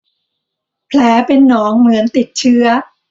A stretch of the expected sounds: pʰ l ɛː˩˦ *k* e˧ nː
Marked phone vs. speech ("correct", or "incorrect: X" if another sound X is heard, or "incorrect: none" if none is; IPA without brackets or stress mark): incorrect: p